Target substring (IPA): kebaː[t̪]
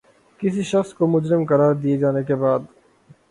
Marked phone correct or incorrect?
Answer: incorrect